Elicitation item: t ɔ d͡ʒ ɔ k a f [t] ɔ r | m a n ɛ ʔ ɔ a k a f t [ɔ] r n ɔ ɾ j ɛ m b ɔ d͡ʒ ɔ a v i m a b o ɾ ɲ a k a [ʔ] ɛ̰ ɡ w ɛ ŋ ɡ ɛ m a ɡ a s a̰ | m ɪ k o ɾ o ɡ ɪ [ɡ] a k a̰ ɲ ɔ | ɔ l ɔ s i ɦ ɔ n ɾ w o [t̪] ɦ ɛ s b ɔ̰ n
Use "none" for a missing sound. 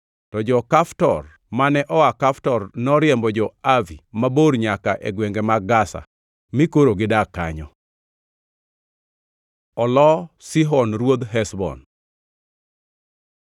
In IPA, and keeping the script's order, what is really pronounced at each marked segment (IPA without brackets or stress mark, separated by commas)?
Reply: t, ɔ, ʔ, d, d̪